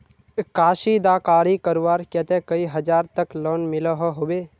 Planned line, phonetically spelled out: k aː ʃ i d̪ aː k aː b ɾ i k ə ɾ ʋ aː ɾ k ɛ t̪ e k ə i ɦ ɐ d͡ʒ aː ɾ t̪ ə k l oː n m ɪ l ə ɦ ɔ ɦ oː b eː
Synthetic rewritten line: k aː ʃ i d̪ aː k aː ɾ i k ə ɾ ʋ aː ɾ k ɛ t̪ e k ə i ɦ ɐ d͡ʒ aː ɾ t̪ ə k l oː n m ɪ l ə ɦ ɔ ɦ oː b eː

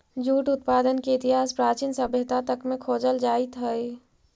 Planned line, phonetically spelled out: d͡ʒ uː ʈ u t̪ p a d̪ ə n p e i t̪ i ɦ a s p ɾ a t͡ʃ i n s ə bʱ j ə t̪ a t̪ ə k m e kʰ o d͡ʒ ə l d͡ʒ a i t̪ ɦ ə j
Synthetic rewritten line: d͡ʒ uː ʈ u t̪ p a d̪ ə n k e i t̪ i ɦ a s p ɾ a t͡ʃ i n s ə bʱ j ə t̪ a t̪ ə k m e kʰ o d͡ʒ ə l d͡ʒ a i t̪ ɦ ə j

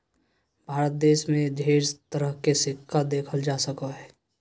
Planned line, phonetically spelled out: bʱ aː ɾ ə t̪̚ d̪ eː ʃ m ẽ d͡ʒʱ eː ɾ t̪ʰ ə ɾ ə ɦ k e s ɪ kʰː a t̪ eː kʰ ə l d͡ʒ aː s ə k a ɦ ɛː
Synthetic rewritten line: bʱ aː ɾ ə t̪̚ d̪ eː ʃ m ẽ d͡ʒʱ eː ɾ t̪ ə ɾ ə ɦ k e s ɪ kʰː a d̪ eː kʰ ə l d͡ʒ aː s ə k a ɦ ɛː

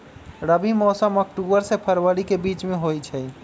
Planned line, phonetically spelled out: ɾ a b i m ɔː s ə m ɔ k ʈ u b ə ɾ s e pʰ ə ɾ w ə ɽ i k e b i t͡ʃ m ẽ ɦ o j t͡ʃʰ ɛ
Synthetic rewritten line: ɾ ə b i m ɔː s ə m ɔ k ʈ u b ə ɾ s e pʰ ə ɾ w ə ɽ i k e b i t͡ʃ m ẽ ɦ o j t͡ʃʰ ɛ

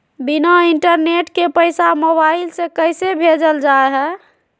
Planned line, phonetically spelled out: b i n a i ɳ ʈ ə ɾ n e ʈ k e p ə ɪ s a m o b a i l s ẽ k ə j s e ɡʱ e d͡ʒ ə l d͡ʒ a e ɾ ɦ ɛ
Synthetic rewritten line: b i n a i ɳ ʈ ə ɾ n e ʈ k e p ə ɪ s a m o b a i l s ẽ k ə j s e bʱ e d͡ʒ ə l d͡ʒ a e ɦ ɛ

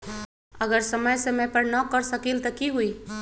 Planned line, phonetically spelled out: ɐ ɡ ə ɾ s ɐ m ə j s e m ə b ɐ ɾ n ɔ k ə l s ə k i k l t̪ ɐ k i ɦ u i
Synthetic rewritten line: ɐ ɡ ə ɾ s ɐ m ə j s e m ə p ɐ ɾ n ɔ k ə ɾ s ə k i l t̪ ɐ k i ɦ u i

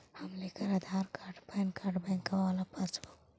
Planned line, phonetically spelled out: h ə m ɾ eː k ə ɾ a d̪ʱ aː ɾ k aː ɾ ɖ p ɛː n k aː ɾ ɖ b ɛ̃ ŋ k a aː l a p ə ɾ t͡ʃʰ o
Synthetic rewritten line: h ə m l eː k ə ɾ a d̪ʱ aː ɾ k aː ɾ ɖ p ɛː n k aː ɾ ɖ b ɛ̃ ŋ k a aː l a p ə ɾ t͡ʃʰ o

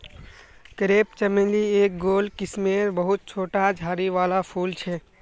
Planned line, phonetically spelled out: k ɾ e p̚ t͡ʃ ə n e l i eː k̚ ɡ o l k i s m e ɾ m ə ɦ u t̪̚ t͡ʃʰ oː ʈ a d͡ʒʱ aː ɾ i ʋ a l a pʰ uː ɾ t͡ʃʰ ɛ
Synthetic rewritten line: k ɾ e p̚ t͡ʃ ə m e l i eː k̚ ɡ o l k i s m e ɾ b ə ɦ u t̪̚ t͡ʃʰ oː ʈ a d͡ʒʱ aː ɾ i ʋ a l a pʰ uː l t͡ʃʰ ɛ

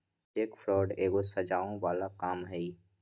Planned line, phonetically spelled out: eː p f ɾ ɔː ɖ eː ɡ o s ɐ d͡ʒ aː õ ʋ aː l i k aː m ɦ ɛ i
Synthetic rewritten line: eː k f ɾ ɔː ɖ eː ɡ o s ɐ d͡ʒ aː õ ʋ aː l a k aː m ɦ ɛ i

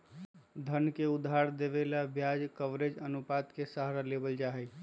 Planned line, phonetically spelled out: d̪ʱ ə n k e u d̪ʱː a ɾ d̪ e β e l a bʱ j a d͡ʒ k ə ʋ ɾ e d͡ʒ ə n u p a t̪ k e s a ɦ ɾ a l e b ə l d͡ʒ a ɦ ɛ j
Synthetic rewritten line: d̪ʱ ə n k e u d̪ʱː a ɾ d̪ e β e l a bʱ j a d͡ʒ k ə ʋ ɾ e d͡ʒ ə n u p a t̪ k e s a ɦ ɾ a l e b ə l d͡ʒ a ɦ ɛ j

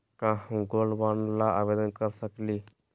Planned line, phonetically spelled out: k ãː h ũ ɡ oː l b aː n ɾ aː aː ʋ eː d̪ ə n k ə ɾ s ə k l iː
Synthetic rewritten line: k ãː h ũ ɡ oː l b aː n l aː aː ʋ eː d̪ ə n k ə ɾ s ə k l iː

